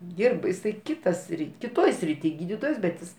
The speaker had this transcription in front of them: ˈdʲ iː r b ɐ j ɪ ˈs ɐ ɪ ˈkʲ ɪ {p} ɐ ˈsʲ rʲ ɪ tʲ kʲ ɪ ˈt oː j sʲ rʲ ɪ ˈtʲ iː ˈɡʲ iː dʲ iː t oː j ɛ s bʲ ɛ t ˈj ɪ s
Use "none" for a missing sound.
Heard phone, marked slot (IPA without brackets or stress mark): t